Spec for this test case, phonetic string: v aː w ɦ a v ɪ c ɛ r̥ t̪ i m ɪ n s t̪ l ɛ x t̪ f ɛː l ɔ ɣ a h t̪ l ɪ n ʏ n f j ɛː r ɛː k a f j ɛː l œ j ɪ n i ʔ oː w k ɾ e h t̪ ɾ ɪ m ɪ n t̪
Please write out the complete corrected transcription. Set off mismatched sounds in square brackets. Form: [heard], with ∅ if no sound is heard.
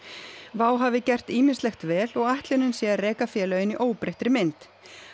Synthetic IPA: v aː w ɦ a v ɪ c ɛ r̥ t̪ [iː] m ɪ n s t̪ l ɛ x t̪ [v] ɛː l ɔ ɣ a h t̪ l ɪ n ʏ n [s] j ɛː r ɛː k a f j ɛː l œ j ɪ n i ʔ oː w [p] ɾ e h t̪ ɾ ɪ m ɪ n t̪